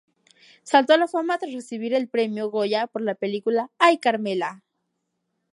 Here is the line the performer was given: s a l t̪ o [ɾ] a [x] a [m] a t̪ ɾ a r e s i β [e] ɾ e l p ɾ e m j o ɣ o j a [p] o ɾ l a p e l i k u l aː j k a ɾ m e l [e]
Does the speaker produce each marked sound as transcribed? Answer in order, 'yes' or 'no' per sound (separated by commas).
no, no, yes, no, yes, no